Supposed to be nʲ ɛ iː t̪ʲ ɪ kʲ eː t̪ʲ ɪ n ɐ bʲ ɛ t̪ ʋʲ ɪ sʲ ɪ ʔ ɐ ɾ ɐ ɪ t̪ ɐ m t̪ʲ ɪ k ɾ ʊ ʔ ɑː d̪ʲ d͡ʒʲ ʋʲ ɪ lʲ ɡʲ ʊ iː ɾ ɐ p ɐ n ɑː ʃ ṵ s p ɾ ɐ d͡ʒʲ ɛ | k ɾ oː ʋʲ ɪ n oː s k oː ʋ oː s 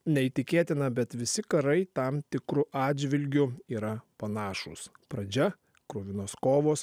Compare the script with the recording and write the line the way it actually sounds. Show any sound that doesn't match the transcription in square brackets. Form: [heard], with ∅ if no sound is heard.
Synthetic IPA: nʲ ɛ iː t̪ʲ ɪ kʲ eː t̪ʲ ɪ n ɐ bʲ ɛ t̪ ʋʲ ɪ sʲ ɪ [k] ɐ ɾ ɐ ɪ t̪ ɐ m t̪ʲ ɪ k ɾ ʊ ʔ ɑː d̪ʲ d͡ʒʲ ʋʲ ɪ lʲ ɡʲ ʊ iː ɾ ɐ p ɐ n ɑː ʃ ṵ s p ɾ ɐ d͡ʒʲ ɛ | k ɾ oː ʋʲ ɪ n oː s k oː ʋ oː s